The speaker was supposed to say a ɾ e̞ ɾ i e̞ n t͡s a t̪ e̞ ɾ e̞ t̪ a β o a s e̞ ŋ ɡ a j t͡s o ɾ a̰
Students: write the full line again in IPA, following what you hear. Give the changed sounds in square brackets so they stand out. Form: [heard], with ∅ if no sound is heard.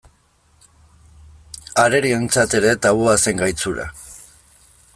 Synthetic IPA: a ɾ e̞ ɾ i e̞ n t͡s a t̪ e̞ ɾ e̞ t̪ a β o a s e̞ ŋ ɡ a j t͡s [u] ɾ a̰